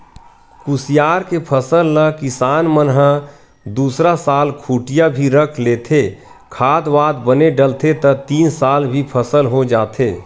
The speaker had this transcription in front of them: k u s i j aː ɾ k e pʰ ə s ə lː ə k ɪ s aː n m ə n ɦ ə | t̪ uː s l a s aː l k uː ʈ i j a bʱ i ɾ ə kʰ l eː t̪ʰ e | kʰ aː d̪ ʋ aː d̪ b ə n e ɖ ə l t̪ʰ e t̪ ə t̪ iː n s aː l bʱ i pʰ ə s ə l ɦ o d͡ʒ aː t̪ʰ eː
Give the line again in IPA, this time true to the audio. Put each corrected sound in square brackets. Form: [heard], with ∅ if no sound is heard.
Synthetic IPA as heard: k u s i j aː ɾ k e pʰ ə s ə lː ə k ɪ s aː n m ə n ɦ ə | [d̪] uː s [ɾ] a s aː l [kʰ] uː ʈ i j a bʱ i ɾ ə kʰ l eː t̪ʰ e | kʰ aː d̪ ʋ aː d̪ b ə n e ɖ ə l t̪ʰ e t̪ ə t̪ iː n s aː l bʱ i pʰ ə s ə l ɦ o d͡ʒ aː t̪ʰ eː